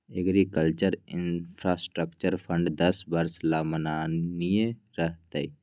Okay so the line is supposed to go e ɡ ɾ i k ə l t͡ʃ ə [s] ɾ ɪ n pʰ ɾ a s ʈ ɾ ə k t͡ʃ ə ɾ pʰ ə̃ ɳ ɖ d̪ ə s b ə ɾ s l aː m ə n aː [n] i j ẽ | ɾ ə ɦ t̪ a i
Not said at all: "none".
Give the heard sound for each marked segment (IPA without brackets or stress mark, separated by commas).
none, n